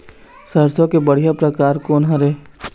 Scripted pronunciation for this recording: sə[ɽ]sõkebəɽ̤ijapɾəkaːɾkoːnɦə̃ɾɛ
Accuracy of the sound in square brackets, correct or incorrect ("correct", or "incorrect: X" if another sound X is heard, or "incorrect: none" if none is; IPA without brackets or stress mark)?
incorrect: ɾ